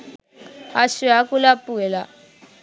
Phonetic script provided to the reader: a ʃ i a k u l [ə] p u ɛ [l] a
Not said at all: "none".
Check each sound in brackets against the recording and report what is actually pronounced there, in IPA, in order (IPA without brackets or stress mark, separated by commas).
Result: a, l